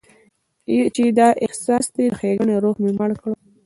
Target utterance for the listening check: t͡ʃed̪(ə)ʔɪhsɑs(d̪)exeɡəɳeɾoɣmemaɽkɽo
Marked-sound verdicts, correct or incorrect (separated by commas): incorrect, correct